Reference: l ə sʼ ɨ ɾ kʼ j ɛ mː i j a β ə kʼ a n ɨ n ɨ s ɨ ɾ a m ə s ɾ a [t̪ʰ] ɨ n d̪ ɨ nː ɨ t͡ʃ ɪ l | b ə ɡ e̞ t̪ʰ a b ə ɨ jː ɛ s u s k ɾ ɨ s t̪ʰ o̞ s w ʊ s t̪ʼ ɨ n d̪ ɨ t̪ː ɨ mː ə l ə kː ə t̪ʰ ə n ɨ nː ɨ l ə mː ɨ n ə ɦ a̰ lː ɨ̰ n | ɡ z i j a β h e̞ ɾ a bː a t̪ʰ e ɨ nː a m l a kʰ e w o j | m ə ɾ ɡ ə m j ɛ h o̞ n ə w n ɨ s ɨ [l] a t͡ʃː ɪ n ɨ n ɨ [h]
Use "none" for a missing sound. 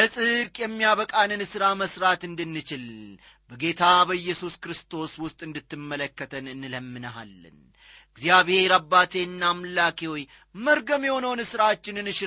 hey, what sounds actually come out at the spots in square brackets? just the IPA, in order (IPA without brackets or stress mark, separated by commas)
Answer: t̪, ɾ, ʃ